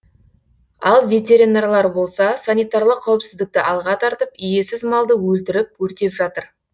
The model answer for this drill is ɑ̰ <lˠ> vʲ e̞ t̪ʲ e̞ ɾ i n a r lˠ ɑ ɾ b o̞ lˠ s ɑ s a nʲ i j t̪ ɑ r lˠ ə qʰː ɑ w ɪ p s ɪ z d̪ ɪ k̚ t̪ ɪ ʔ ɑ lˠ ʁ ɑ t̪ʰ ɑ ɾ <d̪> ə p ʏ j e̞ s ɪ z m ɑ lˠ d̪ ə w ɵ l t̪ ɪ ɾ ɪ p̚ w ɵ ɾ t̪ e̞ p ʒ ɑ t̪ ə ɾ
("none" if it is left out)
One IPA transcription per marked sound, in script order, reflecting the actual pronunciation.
lˠ, t̪

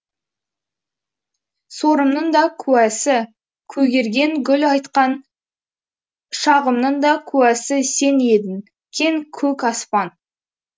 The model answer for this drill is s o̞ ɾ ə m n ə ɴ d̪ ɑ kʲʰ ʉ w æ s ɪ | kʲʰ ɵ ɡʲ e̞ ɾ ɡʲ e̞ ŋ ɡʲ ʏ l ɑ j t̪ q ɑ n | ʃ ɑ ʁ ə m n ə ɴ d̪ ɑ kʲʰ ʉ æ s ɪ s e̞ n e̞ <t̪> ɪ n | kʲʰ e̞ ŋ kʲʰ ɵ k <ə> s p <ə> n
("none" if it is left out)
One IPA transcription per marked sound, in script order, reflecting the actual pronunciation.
d̪, ɑ, ɑ

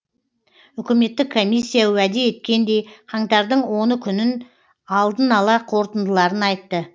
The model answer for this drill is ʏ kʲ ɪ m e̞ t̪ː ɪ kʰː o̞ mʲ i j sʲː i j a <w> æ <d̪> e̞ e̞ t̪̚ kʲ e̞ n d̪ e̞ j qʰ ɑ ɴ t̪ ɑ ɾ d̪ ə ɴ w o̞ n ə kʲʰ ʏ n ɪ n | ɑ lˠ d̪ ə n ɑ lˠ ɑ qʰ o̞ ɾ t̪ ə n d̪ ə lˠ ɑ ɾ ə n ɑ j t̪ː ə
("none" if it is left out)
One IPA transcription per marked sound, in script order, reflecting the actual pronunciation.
w, d̪

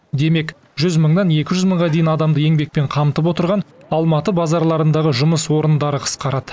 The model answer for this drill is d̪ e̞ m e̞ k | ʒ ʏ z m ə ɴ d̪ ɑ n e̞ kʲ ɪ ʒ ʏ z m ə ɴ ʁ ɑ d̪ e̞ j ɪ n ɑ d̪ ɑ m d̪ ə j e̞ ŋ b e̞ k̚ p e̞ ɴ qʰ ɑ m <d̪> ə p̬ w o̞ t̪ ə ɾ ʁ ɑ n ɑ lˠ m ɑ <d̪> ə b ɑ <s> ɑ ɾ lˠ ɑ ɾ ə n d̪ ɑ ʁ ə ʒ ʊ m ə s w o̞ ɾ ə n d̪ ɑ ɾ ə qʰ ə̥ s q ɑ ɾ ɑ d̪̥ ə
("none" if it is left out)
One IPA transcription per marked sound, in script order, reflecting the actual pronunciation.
t̪, t̪, z

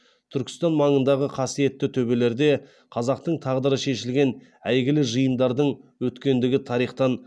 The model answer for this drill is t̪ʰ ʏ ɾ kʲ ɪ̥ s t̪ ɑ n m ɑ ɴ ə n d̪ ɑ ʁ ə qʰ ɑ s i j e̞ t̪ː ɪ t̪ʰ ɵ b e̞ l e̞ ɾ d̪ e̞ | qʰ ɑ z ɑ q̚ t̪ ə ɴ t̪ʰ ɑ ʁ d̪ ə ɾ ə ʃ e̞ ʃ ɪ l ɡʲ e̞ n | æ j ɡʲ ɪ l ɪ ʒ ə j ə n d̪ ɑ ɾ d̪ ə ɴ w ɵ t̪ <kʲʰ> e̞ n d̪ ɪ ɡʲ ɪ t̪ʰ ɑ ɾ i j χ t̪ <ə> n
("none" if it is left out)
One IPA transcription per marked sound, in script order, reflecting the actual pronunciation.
kʲ, ɑ

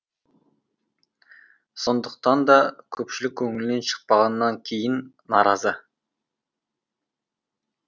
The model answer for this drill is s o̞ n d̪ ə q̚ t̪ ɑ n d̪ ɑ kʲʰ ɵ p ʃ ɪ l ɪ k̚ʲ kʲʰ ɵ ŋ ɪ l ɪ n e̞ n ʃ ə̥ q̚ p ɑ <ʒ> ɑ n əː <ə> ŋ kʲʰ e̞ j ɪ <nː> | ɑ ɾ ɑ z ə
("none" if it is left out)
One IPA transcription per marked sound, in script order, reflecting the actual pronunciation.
ʁ, ɑ, nː

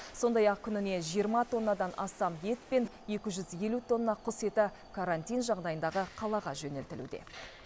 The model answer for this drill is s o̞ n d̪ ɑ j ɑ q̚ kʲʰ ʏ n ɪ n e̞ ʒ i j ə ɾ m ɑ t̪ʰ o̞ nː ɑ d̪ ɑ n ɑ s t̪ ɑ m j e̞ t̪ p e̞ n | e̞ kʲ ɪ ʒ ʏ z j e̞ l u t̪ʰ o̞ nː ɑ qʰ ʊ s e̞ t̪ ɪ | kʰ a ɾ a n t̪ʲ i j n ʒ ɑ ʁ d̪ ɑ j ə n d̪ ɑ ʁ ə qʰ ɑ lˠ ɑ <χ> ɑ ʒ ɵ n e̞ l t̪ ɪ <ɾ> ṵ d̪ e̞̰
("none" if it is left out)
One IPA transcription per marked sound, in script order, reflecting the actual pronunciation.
ʁ, l

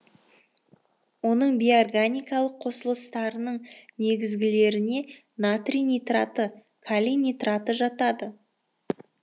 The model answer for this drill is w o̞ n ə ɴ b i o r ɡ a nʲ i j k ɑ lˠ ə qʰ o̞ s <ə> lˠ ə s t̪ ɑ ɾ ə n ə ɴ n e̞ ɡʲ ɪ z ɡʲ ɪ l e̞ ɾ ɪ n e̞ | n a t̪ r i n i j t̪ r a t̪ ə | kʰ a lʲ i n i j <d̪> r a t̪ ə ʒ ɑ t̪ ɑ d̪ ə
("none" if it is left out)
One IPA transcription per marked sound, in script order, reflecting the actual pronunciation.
ə, t̪

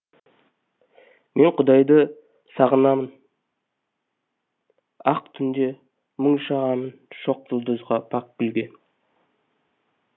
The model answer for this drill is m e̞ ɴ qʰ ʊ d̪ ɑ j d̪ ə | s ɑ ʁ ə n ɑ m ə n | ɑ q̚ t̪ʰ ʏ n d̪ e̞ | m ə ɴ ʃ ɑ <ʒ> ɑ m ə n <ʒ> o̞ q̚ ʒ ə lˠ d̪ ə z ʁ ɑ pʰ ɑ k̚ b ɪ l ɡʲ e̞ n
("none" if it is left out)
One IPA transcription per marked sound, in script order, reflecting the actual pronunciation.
ʁ, ʃ

